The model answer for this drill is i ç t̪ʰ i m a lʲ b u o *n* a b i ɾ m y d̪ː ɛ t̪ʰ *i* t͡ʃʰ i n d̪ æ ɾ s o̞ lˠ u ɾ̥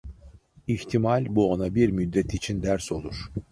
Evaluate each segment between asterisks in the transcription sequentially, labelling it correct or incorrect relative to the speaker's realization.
correct, correct

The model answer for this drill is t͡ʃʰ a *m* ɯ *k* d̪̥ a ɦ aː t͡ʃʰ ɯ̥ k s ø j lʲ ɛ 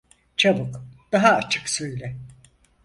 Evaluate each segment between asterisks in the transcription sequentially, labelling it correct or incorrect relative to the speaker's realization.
incorrect, correct

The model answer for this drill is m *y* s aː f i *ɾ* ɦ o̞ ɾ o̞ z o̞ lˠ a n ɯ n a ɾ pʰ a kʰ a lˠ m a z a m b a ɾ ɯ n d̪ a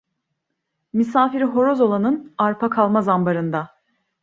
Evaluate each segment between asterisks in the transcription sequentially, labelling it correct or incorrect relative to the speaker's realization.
incorrect, correct

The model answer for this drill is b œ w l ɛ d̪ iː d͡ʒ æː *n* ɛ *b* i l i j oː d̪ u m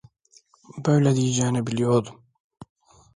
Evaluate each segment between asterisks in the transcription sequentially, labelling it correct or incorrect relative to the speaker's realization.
correct, correct

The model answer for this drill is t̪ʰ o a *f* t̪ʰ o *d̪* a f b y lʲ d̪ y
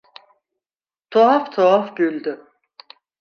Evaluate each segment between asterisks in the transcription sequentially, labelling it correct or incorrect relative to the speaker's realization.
correct, incorrect

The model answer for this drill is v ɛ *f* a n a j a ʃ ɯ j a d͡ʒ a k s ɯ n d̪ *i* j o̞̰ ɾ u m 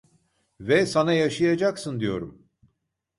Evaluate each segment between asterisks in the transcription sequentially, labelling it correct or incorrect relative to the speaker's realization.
incorrect, correct

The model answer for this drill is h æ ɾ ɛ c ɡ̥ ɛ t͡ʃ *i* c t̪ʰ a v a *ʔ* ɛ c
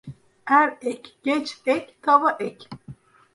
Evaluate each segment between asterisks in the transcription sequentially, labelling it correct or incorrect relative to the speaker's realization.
incorrect, correct

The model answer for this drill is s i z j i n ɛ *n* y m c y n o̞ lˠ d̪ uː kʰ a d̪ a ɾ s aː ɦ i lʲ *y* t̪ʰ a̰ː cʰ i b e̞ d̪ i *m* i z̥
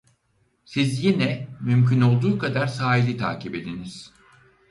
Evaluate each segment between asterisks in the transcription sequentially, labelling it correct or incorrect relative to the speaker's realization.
incorrect, incorrect, incorrect

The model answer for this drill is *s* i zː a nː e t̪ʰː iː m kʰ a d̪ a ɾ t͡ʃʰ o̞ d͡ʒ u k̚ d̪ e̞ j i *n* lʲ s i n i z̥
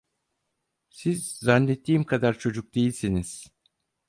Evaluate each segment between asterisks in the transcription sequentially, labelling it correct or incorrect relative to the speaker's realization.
correct, incorrect

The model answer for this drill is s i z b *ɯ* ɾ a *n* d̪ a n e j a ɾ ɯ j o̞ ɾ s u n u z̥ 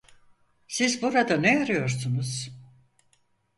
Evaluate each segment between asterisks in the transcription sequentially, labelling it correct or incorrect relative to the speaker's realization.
incorrect, incorrect

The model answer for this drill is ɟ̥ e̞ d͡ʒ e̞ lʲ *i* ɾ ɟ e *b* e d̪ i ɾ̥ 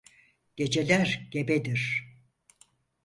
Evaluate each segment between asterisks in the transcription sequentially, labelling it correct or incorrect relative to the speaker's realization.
incorrect, correct

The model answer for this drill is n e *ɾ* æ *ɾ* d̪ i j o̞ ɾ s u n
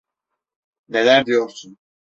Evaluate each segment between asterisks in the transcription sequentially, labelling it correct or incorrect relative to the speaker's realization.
incorrect, correct

